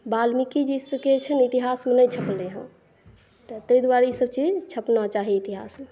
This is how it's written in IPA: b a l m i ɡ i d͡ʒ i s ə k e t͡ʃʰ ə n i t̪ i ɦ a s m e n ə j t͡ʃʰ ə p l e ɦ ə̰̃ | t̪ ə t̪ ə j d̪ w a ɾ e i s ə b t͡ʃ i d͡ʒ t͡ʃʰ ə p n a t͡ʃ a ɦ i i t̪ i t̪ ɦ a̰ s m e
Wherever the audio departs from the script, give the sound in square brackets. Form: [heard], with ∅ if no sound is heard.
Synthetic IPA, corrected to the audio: b a l m i [k] i d͡ʒ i s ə k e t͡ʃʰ ə n i t̪ i ɦ a s m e n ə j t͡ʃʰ ə p l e ɦ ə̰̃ | t̪ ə t̪ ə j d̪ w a ɾ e i s ə b t͡ʃ i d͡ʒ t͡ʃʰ ə p n a t͡ʃ a ɦ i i t̪ i [∅] ɦ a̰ s m e